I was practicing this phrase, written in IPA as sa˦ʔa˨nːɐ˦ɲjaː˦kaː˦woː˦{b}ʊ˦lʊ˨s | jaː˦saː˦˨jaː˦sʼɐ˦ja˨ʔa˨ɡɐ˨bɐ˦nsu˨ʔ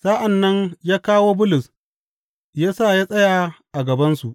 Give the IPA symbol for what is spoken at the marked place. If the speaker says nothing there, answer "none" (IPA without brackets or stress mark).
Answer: b